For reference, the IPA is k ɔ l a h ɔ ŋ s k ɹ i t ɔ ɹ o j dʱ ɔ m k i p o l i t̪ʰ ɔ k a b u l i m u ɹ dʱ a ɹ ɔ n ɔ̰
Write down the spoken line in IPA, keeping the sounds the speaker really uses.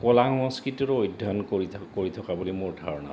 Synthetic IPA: k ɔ l a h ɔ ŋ s k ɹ i t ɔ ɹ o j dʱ ɔ n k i k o ɹ i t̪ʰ ɔ k a b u l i m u ɹ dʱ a ɹ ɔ n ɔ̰